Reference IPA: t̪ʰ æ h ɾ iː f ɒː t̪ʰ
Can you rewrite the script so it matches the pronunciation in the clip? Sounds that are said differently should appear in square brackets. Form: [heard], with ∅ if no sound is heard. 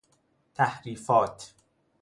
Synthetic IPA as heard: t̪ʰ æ h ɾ iː f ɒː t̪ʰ